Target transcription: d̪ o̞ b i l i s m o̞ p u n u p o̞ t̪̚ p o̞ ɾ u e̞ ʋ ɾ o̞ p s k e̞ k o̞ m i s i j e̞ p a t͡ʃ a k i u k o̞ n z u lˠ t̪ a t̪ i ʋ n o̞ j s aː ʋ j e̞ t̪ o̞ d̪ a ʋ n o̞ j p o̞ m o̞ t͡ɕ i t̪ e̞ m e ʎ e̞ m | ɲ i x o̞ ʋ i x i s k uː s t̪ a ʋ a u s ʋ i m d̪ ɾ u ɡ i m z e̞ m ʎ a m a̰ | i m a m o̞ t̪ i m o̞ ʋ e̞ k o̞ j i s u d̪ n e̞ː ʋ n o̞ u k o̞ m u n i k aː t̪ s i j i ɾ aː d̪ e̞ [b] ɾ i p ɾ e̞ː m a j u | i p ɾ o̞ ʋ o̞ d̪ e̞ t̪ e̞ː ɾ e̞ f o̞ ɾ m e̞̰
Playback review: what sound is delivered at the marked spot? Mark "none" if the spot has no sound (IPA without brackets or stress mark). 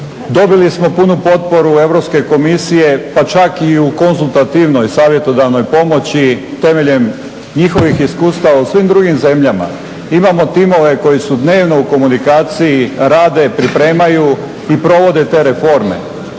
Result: p